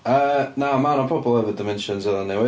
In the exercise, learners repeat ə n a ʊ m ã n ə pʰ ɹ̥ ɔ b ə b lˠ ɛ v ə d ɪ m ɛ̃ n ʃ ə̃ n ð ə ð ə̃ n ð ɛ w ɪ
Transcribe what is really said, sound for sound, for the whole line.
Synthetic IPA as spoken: ə n a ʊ m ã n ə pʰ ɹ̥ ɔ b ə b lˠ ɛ v ə d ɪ m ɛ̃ n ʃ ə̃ n z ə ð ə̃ n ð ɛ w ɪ

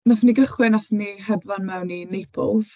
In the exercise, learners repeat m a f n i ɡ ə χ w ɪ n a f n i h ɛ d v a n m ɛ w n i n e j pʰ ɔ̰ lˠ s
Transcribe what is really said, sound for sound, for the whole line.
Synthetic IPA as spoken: n a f n i ɡ ə χ w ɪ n a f n i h ɛ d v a n m ɛ w n i n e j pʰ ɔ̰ lˠ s

